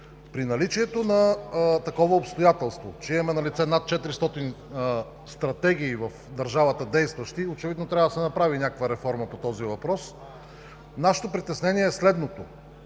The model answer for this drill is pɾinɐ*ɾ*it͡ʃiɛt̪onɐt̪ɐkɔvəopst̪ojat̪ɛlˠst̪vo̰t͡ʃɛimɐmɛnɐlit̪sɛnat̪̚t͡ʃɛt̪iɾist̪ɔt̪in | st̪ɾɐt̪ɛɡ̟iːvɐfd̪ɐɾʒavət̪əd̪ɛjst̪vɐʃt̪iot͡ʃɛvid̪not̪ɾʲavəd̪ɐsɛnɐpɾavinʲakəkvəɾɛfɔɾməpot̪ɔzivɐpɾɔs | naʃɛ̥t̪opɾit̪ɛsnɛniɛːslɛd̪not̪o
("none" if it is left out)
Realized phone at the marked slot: l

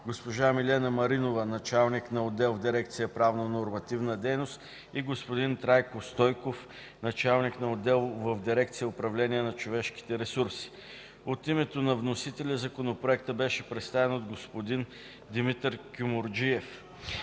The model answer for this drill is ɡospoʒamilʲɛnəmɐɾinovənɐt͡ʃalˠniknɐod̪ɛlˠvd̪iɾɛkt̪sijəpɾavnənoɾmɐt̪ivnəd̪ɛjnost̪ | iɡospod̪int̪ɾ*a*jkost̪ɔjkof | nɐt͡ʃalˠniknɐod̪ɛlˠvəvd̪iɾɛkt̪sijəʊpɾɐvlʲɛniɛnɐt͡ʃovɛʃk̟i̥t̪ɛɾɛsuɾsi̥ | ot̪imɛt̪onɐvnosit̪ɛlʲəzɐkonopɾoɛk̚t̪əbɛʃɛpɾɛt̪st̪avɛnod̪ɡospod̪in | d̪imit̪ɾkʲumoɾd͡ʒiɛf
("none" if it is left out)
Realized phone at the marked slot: a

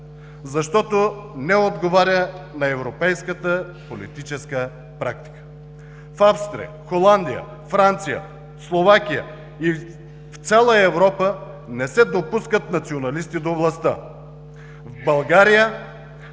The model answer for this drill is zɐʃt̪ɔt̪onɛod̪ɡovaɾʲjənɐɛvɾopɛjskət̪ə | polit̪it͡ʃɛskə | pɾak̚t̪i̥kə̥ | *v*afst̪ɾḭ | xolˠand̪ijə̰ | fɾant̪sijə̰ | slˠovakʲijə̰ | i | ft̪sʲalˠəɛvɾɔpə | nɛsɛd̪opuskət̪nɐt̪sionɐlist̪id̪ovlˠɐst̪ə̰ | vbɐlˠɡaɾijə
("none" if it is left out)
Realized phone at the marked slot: f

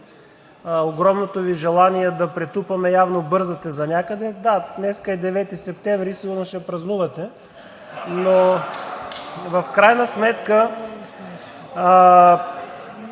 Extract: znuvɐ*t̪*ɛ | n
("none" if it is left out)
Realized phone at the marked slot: t̪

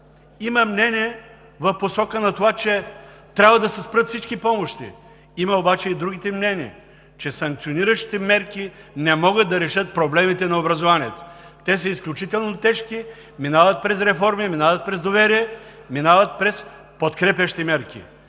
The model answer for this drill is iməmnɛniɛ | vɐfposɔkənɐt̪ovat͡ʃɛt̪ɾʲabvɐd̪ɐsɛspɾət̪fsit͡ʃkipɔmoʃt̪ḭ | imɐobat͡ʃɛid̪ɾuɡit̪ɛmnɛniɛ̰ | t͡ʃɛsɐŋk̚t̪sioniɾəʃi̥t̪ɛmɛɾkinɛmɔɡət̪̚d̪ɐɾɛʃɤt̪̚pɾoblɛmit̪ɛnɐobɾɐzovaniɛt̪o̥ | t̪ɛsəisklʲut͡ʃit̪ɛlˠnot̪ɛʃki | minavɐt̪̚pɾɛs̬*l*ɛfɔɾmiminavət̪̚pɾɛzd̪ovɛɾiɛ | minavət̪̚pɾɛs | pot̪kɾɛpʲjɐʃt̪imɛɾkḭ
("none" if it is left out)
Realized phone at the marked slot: ɾ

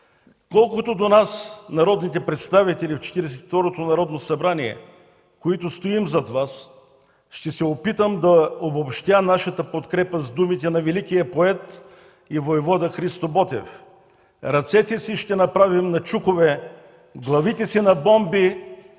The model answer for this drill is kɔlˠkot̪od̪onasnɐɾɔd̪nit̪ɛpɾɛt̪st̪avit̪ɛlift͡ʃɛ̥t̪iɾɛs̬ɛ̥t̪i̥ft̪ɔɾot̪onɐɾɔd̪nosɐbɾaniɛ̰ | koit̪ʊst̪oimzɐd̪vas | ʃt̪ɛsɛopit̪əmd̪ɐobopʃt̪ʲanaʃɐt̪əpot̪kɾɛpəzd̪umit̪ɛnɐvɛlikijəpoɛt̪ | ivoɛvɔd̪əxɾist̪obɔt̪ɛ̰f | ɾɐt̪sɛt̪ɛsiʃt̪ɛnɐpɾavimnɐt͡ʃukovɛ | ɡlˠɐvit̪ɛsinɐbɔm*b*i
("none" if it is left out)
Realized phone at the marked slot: b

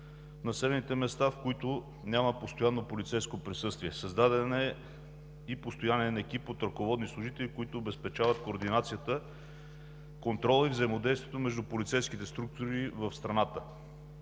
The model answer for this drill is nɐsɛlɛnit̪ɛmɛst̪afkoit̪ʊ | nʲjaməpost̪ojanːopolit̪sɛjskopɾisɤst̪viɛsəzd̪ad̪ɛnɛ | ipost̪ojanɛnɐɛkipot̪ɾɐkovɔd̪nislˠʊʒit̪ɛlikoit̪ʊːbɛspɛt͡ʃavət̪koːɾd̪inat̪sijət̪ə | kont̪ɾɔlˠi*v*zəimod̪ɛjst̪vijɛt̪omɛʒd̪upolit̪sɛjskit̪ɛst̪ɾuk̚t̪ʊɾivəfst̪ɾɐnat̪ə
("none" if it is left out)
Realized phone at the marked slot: v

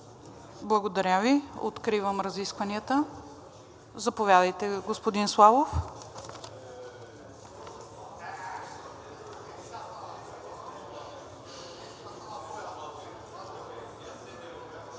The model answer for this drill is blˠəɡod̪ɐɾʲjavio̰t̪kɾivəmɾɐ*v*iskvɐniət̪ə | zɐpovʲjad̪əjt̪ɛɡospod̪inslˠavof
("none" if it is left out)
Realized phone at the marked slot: z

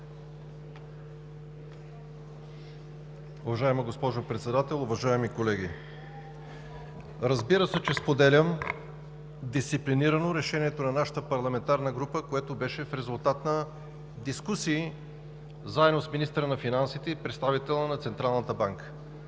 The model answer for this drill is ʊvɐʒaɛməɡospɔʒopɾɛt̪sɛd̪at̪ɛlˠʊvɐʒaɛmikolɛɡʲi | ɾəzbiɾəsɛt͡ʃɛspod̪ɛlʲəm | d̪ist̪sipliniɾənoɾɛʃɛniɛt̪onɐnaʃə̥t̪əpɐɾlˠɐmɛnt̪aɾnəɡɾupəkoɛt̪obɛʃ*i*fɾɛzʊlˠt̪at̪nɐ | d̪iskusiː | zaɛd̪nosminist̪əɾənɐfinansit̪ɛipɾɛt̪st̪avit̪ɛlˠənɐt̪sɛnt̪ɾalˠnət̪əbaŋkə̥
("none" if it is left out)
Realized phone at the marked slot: ɛ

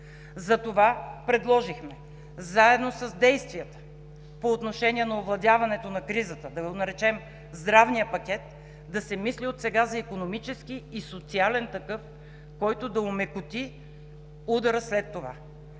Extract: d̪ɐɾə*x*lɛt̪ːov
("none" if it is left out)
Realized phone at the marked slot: s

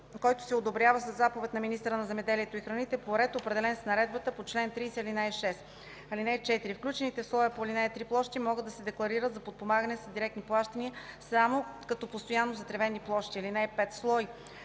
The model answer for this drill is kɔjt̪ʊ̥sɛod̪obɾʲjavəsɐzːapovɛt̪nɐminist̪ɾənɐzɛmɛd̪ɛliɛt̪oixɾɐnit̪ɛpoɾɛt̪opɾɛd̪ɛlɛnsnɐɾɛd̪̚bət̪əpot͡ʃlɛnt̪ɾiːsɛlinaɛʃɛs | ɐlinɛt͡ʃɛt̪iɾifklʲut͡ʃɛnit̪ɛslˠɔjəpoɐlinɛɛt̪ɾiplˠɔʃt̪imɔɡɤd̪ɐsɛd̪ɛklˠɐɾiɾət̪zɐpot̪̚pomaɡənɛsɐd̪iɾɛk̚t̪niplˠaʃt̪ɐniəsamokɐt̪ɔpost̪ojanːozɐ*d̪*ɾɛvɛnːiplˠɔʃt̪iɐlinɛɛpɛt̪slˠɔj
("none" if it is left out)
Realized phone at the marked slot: t̪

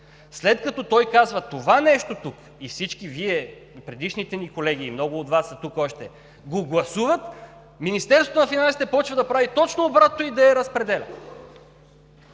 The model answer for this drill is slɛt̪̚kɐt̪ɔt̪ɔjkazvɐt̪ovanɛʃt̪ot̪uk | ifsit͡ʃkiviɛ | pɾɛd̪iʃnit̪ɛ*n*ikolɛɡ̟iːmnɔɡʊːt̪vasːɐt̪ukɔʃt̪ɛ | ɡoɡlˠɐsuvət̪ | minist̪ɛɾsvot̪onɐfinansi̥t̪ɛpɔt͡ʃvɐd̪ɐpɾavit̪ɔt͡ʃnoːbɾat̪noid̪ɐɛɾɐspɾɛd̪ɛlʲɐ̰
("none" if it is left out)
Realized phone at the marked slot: n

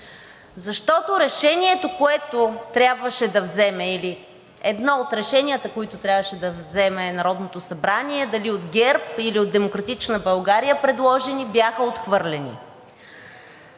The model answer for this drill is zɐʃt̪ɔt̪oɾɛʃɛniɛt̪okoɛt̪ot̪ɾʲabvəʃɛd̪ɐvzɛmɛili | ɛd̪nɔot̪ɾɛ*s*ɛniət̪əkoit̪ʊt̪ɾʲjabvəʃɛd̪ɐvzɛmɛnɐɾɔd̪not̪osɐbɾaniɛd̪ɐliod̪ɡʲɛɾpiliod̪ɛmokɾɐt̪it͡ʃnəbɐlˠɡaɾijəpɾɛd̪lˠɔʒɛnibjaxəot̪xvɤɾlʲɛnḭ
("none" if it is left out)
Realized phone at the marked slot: ʃ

